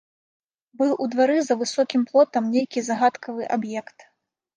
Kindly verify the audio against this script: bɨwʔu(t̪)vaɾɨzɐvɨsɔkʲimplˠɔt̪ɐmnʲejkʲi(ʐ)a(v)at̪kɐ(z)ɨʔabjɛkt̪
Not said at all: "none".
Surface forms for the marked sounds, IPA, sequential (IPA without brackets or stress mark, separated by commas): d̪, z, ɣ, v